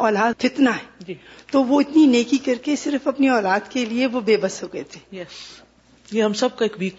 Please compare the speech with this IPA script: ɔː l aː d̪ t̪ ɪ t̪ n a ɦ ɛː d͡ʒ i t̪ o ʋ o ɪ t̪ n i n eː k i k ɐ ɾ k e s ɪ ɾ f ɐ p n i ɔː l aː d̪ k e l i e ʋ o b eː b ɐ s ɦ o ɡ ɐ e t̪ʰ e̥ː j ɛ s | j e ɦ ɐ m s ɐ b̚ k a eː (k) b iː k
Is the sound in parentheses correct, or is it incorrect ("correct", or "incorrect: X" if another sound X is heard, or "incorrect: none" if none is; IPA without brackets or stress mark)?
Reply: correct